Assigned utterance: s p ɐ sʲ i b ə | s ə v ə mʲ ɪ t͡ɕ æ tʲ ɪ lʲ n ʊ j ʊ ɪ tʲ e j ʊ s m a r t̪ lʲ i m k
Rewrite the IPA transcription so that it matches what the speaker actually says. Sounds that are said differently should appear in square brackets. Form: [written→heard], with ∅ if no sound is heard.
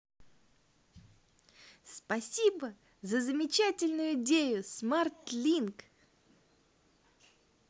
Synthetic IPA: s p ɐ sʲ i b ə | [s→z] ə [v→z] ə mʲ ɪ t͡ɕ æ tʲ ɪ lʲ n ʊ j ʊ ɪ [tʲ→dʲ] e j ʊ s m a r t̪ lʲ i [m→n] k